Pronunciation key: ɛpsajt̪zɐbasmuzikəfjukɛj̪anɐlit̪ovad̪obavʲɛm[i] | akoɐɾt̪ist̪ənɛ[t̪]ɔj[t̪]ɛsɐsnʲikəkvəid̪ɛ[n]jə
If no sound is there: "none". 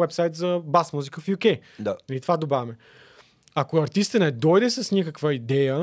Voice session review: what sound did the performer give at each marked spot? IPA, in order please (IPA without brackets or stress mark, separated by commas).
ɛ, d̪, d̪, none